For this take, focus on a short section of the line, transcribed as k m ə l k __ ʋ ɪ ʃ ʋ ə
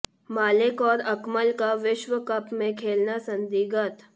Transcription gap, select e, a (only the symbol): a